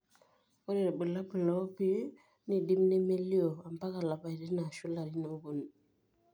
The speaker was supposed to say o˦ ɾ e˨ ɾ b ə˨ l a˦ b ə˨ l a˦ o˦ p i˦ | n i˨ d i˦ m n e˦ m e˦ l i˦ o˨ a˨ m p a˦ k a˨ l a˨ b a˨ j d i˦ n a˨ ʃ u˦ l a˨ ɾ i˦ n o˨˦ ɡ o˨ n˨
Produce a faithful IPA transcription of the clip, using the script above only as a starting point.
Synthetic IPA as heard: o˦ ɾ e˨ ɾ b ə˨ l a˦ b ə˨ l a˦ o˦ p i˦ | n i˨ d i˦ m n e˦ m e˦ l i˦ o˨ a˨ m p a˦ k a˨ l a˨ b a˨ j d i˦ n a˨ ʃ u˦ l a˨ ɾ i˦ n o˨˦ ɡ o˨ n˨